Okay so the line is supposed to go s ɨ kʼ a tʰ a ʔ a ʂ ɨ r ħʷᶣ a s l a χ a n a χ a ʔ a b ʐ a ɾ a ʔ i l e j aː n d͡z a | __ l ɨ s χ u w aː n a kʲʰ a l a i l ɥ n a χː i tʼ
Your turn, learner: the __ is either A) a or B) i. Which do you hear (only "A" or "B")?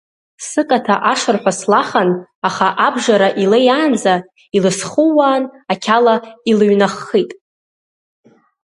B